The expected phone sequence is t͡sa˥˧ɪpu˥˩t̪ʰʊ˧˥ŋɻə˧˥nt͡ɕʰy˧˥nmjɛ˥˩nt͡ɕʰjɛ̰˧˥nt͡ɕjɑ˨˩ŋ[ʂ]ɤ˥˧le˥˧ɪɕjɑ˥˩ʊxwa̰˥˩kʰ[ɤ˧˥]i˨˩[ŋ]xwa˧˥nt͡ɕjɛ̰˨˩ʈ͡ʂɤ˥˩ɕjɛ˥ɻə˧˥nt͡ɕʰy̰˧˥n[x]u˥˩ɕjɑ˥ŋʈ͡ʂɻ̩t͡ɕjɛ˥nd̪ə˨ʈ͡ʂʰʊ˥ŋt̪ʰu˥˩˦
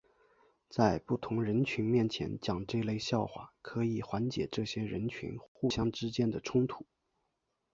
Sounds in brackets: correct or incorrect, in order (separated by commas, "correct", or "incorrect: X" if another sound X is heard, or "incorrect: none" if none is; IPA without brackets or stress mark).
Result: incorrect: ʈ͡ʂ, correct, incorrect: none, correct